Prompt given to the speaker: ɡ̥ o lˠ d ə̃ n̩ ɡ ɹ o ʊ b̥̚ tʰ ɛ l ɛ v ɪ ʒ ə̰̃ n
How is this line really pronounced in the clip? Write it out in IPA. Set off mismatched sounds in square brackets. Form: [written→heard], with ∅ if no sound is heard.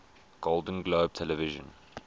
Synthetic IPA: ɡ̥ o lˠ d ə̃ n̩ ɡ [ɹ→l] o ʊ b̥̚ tʰ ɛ l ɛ v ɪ ʒ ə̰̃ n

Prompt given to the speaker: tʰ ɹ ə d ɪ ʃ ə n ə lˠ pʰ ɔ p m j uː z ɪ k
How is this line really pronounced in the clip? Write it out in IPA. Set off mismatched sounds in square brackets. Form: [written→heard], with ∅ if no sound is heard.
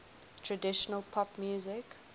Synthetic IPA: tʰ ɹ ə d ɪ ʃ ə n ə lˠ pʰ ɔ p m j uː z ɪ k

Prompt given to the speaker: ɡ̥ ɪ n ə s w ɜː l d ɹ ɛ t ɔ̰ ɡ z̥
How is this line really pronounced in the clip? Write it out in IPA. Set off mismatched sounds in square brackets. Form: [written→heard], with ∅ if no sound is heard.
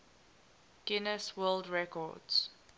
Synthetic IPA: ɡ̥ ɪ n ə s w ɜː l d ɹ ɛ [t→k] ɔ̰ [ɡ→d] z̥

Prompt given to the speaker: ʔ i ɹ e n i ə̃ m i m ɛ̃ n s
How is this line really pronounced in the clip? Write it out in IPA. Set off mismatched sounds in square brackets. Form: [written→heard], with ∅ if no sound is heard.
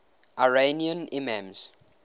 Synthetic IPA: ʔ [i→a] ɹ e n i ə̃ [m→n] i m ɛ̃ [n→m] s

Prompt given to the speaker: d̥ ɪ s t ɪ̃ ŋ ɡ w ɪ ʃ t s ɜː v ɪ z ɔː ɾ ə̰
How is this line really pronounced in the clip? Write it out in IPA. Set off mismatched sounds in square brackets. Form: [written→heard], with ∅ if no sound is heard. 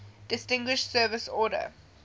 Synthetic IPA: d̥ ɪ s t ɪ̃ ŋ ɡ w ɪ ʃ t s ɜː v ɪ [z→s] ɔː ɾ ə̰

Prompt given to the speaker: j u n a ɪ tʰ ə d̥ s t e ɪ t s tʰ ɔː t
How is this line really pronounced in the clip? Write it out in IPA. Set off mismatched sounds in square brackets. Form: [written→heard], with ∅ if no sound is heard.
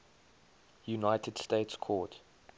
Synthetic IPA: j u n a ɪ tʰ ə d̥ s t e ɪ t s [tʰ→kʰ] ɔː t

